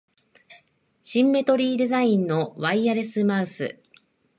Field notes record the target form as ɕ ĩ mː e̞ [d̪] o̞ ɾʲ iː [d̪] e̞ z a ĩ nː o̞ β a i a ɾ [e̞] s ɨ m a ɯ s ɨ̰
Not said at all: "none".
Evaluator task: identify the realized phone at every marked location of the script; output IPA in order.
t̪, d̪, e̞

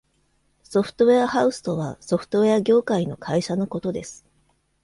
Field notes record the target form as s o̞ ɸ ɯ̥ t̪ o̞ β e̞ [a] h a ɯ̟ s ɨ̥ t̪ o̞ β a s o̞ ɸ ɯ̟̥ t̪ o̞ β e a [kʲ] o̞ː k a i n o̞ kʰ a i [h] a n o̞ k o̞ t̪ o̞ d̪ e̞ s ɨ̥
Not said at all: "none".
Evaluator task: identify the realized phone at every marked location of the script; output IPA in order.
a, ɡʲ, ɕ

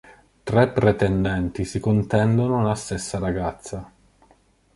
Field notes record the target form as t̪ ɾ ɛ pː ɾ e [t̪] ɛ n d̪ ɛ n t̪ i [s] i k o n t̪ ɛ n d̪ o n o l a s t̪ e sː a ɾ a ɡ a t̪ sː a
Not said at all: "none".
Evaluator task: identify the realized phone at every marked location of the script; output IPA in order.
t̪, s

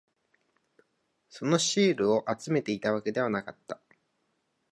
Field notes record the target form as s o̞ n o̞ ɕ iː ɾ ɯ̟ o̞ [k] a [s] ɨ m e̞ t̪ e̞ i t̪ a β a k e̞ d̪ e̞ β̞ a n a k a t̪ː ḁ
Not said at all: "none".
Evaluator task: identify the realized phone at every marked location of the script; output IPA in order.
ʔ, t͡s

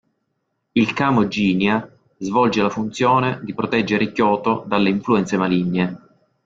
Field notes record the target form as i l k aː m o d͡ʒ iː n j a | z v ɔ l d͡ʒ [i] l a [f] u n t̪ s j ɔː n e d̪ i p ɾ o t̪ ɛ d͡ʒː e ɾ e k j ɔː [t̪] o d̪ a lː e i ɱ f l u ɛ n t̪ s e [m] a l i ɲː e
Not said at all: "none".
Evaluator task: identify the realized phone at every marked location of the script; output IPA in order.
e, f, t̪, m

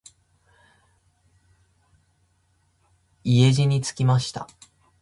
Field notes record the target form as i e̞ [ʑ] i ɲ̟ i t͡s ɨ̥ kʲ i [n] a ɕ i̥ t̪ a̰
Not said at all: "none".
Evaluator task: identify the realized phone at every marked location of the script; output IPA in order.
ʑ, m

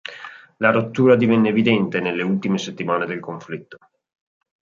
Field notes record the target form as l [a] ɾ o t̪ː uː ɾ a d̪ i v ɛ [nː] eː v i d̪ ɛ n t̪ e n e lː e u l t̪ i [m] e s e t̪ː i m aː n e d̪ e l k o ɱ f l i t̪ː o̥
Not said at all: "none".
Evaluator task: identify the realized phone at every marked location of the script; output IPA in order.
a, nː, m

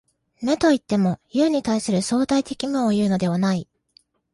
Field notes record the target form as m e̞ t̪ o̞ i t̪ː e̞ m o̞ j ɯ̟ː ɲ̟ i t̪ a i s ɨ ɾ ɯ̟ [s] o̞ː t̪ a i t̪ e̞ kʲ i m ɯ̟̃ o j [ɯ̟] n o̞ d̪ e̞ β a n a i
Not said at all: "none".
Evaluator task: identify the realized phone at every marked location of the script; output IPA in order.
s, ɯ̟ː

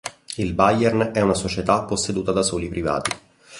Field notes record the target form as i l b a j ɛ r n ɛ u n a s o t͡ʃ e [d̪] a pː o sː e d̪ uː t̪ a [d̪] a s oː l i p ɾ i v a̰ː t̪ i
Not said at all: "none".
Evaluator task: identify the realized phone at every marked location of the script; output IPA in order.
t̪, d̪

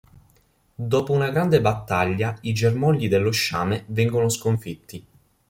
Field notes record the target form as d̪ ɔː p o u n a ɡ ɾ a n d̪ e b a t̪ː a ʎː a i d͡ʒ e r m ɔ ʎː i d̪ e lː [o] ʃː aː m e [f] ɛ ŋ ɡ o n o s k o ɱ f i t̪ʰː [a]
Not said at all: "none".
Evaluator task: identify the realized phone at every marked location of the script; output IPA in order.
o, v, i

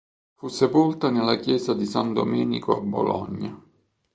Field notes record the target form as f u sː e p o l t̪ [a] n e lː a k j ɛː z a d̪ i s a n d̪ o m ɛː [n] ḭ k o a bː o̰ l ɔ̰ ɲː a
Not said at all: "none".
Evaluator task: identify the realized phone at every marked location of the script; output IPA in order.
a, n

